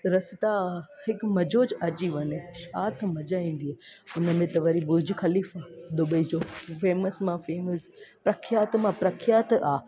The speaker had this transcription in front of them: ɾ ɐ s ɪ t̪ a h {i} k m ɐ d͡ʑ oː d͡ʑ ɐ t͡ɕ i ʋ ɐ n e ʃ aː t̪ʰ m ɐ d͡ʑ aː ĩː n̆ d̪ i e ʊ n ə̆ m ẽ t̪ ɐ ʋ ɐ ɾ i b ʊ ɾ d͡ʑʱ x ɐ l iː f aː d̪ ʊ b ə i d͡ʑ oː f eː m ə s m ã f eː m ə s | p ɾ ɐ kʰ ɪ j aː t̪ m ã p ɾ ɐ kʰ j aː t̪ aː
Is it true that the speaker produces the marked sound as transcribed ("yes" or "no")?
no